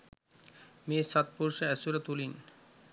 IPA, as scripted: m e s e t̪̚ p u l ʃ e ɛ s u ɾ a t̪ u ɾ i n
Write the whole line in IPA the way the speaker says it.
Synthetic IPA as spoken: m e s a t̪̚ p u ɾ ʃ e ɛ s u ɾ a t̪ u l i n